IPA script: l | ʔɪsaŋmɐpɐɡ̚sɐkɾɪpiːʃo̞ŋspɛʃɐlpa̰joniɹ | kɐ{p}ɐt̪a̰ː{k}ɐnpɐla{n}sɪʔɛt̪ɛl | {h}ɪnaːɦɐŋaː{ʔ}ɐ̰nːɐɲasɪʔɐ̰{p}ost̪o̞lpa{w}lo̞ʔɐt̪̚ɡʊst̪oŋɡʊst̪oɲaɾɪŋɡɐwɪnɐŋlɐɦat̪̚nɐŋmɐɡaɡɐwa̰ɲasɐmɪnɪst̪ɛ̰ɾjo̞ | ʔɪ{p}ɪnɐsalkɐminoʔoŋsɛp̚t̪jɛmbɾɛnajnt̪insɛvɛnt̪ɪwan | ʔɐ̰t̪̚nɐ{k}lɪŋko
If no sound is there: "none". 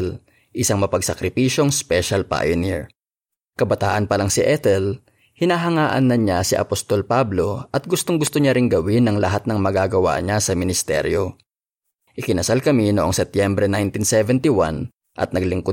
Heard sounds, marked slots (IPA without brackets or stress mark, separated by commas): b, ʔ, ŋ, h, ʔ, p, b, k, ɡ